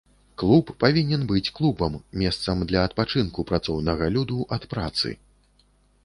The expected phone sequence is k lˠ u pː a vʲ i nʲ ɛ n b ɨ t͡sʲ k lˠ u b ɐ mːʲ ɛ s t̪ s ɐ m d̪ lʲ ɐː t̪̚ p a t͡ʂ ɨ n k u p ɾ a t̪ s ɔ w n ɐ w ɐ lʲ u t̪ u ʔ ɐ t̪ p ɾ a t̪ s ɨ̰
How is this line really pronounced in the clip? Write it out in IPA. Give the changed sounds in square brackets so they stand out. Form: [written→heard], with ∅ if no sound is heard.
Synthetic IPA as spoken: k lˠ u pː a vʲ i nʲ ɛ n b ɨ t͡sʲ k lˠ u b ɐ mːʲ ɛ s t̪ s ɐ m d̪ lʲ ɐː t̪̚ p a t͡ʂ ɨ n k u p ɾ a t̪ s ɔ w n ɐ [w→ɣ] ɐ lʲ u [t̪→d̪] u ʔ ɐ t̪ p ɾ a t̪ s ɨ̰